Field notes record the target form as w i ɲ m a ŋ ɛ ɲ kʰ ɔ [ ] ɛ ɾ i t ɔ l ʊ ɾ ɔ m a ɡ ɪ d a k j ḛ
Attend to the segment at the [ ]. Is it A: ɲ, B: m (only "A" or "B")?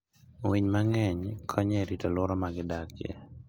A